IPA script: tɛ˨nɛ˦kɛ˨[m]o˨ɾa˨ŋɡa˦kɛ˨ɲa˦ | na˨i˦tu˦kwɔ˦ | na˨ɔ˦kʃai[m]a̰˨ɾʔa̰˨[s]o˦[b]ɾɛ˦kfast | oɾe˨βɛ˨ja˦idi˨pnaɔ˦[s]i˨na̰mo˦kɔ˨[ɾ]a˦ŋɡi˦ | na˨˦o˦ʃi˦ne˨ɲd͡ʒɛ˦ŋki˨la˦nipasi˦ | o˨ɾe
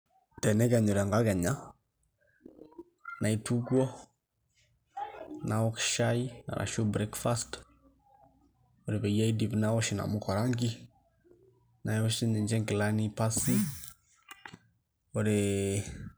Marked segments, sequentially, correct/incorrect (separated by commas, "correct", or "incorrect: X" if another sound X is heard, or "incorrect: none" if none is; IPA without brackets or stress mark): incorrect: ɲ, incorrect: n, incorrect: ʃ, correct, incorrect: ʃ, correct